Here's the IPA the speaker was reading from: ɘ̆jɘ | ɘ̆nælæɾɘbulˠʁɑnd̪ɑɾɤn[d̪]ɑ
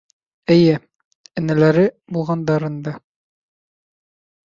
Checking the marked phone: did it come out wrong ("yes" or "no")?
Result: no